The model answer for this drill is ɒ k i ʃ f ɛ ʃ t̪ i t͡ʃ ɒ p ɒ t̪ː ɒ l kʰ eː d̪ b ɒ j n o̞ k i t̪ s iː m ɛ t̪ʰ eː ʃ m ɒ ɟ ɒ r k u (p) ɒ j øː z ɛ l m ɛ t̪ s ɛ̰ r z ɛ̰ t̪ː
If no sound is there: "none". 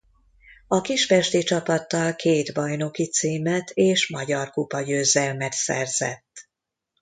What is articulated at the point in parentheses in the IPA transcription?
p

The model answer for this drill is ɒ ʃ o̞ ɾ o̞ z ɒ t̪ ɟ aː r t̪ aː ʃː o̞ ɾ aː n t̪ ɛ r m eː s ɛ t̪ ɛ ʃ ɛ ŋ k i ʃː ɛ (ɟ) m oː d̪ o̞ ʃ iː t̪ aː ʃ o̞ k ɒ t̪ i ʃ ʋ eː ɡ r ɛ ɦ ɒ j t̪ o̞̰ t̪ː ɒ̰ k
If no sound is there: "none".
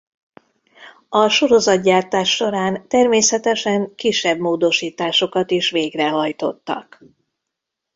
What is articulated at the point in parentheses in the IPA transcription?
b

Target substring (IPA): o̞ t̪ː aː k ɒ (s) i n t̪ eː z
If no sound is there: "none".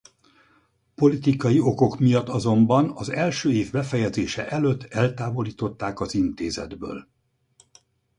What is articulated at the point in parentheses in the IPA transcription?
z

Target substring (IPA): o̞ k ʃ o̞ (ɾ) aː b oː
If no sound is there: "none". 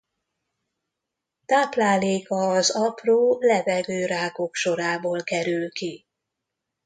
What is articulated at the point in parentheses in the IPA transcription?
ɾ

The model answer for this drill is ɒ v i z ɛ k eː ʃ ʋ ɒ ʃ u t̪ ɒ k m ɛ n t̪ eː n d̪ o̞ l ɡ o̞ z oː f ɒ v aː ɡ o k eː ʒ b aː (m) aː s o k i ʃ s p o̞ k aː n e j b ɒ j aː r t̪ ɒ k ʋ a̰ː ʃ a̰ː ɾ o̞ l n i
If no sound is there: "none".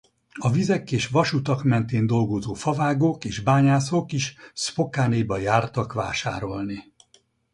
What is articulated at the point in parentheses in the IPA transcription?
ɲ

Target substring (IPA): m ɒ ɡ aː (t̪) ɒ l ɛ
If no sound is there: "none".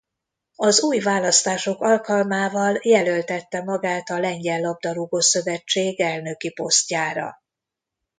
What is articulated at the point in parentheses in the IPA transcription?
t̪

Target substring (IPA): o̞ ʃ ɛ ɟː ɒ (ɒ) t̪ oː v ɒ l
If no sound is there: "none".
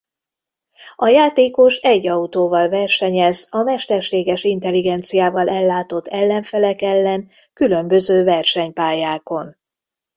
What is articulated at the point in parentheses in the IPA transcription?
u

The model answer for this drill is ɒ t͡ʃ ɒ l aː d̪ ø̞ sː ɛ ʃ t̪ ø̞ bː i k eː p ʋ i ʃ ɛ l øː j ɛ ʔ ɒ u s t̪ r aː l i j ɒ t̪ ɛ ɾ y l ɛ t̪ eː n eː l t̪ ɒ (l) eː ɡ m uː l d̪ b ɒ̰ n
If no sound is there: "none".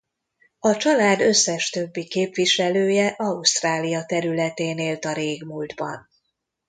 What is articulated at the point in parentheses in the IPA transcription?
ɾ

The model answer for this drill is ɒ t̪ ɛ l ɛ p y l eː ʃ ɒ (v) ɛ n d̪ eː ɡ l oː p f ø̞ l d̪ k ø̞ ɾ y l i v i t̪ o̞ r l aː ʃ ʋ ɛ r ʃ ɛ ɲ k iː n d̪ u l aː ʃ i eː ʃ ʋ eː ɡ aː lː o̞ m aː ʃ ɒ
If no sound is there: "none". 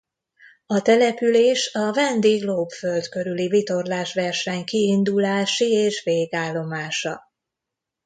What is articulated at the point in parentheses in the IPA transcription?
v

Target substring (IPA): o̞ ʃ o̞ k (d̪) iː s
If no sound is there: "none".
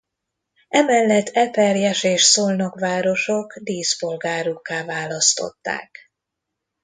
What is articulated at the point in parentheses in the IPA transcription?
d̪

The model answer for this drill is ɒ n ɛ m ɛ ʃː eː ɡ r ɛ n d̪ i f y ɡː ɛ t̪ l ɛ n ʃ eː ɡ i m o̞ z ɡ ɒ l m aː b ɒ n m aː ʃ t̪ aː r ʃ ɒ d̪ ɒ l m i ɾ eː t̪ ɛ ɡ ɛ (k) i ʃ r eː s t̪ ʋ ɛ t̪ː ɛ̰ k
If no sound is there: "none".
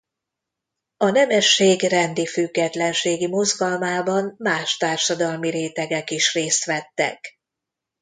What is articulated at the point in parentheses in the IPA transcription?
k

